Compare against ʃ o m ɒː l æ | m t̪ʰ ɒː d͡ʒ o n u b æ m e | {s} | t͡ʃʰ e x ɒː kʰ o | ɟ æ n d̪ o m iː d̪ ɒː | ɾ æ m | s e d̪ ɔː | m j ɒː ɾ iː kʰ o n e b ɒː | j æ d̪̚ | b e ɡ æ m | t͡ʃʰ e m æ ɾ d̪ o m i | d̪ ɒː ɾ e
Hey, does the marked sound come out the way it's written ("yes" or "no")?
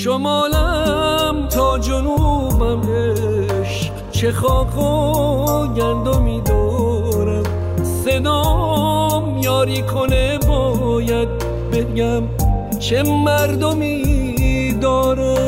no